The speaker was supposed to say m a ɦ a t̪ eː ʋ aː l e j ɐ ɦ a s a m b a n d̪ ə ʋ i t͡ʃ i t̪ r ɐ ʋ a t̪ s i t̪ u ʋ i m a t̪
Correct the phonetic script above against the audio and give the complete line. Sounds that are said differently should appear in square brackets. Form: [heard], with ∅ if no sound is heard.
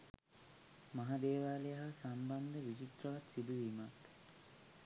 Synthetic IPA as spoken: m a ɦ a [d̪] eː ʋ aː l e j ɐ ɦ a s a m b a n d̪ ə ʋ i t͡ʃ i t̪ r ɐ ʋ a t̪ s i [d̪] u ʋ i m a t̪